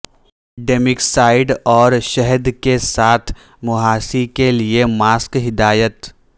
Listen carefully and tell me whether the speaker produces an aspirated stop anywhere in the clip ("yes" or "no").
yes